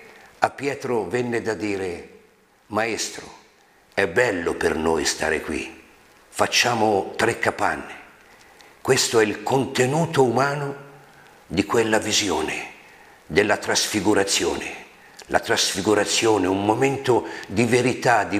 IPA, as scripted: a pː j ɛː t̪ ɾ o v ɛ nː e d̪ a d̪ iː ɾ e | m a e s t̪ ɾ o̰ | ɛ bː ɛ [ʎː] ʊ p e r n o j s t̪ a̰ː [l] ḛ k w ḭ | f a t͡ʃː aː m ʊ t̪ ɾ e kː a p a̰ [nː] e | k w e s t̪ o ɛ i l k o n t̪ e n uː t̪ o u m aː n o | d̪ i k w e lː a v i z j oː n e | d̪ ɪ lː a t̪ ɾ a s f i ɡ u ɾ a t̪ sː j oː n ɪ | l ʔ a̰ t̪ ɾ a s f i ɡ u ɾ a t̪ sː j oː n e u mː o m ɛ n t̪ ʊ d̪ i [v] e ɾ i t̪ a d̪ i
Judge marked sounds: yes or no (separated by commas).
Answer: no, no, yes, yes